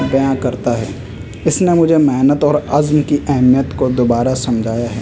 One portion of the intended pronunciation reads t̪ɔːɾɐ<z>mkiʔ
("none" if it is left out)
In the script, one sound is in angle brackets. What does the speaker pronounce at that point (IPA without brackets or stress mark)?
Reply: z